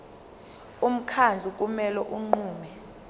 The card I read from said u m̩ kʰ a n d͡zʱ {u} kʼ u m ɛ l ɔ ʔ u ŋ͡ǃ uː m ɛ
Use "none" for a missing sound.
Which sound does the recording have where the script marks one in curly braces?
u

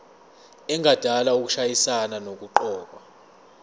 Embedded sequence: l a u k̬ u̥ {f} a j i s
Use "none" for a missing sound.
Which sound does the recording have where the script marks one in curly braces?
ʃ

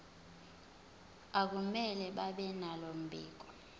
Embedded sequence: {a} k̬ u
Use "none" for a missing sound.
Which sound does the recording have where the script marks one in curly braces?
a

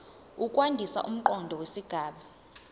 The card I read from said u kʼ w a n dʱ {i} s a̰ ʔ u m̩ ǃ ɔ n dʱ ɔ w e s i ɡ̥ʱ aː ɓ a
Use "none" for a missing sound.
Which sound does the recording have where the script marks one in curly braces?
i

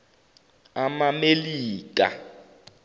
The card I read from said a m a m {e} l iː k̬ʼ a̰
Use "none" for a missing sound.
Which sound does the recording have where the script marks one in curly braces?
e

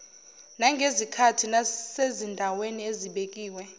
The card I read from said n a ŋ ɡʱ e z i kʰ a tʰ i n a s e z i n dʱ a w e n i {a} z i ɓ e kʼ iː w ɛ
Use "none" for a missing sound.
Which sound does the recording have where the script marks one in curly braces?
e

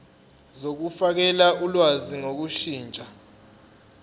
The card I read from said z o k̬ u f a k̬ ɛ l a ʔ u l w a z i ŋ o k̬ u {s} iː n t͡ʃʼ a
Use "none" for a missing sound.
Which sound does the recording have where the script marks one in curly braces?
ʃ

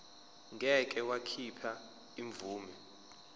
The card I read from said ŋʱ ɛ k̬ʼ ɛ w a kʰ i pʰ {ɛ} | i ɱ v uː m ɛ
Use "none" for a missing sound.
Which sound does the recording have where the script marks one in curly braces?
a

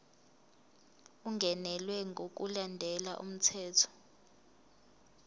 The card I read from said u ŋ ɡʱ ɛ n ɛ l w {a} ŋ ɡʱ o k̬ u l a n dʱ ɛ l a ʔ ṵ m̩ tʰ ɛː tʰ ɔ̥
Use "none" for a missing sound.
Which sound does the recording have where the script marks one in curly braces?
ɛ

